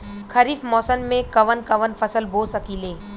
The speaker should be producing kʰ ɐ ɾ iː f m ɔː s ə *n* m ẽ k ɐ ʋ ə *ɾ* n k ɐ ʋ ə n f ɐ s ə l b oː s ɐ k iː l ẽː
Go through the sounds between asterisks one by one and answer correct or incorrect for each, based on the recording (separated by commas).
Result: correct, incorrect